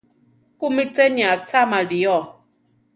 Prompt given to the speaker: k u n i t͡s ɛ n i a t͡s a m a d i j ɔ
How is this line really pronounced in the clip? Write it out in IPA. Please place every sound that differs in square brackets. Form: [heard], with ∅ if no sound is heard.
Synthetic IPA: k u [m] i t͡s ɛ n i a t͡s a m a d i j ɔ